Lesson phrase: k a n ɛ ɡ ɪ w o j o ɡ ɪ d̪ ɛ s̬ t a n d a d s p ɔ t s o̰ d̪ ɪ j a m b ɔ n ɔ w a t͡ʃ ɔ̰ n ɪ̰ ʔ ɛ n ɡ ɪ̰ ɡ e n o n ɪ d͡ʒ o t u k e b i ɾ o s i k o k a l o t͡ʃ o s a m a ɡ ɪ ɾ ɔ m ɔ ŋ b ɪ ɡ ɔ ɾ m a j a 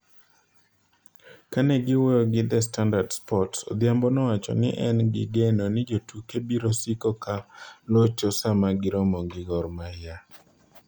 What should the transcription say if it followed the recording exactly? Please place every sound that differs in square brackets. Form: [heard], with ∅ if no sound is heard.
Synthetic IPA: k a n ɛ ɡ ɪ w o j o ɡ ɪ d̪ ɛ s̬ t a n d a d s p ɔ t s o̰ d̪ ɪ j a m b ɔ n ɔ w a t͡ʃ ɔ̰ n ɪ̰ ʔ ɛ n ɡ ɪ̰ ɡ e n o n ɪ d͡ʒ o t u k e b i ɾ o s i k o k a l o t͡ʃ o s a m a ɡ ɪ ɾ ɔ m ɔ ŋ [ɡ] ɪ ɡ ɔ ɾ m a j a